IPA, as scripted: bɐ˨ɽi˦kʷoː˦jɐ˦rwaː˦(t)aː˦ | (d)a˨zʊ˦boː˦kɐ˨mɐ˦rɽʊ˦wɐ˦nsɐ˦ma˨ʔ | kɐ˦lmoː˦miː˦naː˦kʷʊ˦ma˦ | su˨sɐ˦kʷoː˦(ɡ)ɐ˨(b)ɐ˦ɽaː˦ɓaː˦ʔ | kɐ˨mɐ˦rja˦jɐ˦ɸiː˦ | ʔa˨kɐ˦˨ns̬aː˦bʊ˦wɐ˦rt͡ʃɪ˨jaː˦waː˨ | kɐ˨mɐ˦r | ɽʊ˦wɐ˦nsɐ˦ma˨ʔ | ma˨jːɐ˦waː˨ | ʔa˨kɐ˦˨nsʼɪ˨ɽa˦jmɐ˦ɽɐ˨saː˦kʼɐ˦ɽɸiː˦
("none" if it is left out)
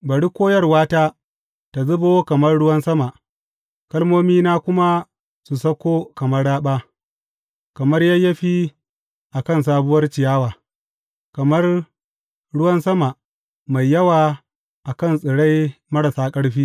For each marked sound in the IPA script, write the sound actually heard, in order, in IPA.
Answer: t, t, k, m

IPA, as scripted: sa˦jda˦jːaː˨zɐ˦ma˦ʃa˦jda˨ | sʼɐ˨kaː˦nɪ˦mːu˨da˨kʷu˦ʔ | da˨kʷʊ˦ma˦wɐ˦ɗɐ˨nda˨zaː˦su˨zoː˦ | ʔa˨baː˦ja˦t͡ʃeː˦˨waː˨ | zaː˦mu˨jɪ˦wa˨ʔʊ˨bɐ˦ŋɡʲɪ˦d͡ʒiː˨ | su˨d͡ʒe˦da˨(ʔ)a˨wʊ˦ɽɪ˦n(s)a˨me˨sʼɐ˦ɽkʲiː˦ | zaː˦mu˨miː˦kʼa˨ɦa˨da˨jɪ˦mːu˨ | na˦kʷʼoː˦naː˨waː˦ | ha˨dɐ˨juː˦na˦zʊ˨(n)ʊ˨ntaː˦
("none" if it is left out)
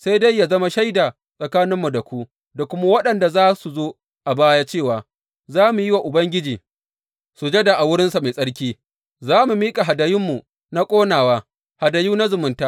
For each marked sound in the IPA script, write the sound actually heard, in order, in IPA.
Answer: ʔ, s, m

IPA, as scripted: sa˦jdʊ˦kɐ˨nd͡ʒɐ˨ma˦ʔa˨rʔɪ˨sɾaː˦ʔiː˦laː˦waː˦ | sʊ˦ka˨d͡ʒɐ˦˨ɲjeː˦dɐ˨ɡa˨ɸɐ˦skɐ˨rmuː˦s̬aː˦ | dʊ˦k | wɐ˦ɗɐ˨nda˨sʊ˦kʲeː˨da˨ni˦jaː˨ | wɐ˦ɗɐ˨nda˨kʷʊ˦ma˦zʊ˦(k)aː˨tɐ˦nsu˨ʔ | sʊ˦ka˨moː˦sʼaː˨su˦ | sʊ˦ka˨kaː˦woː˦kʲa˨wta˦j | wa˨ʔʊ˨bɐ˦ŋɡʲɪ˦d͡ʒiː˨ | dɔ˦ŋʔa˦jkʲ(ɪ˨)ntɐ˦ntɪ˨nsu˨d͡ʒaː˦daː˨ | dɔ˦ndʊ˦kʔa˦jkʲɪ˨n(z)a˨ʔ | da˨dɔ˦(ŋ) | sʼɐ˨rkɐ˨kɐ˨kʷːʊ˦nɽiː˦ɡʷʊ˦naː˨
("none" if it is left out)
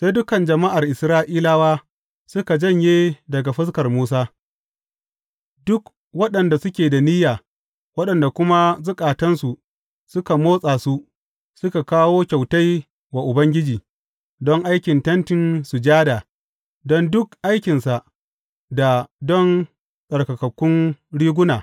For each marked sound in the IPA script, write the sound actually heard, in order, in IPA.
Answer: kʼ, ɪ˨, s, n

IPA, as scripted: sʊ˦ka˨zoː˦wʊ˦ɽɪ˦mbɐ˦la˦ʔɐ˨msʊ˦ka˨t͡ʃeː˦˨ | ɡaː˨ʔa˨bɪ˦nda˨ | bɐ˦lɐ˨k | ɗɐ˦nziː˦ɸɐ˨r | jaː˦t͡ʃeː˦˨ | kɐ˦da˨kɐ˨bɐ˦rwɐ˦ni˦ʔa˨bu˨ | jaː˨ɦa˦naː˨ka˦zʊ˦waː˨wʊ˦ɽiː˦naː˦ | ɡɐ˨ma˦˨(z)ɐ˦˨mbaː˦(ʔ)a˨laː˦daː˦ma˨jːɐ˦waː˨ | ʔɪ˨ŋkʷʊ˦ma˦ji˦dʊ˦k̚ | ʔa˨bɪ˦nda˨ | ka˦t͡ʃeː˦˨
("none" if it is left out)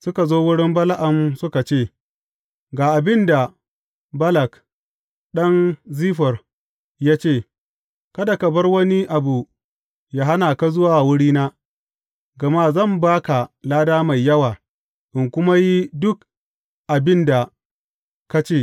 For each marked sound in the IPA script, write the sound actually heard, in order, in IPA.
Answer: z, k

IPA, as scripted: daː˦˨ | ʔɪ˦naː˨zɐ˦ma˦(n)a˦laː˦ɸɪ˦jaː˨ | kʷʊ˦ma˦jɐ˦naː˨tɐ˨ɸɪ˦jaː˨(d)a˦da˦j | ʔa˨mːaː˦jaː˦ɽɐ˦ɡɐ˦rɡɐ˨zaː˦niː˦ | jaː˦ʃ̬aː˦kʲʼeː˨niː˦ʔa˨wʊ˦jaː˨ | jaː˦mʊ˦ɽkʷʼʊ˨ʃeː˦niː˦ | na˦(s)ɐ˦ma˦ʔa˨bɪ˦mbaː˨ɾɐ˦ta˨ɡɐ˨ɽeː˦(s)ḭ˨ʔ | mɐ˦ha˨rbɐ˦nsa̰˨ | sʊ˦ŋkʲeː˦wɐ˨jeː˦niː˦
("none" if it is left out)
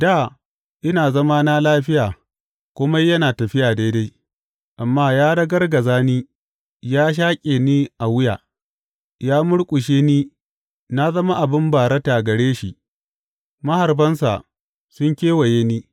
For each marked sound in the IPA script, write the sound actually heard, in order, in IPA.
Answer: n, d, z, ʃ

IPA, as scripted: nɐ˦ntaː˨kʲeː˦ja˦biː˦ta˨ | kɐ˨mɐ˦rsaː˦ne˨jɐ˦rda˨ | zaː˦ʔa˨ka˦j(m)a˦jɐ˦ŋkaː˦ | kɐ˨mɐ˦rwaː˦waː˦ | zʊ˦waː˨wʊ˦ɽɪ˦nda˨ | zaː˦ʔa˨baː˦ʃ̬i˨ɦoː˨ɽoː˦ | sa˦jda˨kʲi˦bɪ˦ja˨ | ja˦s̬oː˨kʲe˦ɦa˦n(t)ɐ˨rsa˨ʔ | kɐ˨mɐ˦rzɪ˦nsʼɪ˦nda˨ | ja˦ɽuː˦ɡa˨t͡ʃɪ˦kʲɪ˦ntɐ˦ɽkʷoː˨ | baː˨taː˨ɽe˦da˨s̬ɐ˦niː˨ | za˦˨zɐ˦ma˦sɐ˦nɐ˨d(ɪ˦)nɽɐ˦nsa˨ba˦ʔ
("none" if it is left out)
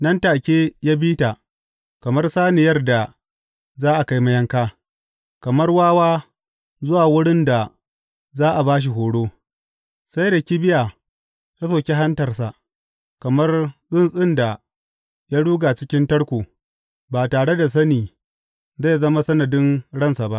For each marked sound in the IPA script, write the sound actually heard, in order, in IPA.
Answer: m, t, ɪ˦

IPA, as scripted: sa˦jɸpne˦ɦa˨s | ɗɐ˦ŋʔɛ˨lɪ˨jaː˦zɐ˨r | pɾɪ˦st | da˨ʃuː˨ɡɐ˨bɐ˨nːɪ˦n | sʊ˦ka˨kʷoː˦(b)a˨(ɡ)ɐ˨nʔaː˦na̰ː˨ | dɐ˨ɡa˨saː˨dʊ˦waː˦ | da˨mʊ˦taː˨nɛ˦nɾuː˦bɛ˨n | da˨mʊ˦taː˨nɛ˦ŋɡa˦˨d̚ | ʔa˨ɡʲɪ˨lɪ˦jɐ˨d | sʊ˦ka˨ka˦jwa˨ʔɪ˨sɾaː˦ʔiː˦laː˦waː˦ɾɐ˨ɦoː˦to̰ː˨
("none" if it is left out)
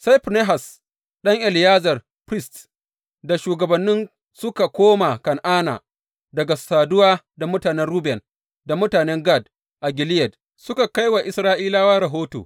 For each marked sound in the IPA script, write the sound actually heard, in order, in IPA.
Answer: m, k

